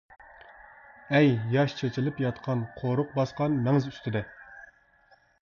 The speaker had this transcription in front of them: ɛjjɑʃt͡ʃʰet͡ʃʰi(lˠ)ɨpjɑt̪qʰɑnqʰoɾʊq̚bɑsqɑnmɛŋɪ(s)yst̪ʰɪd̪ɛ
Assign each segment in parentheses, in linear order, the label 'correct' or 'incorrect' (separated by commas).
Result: correct, incorrect